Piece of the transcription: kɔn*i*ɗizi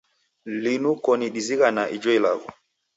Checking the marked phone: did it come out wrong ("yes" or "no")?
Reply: no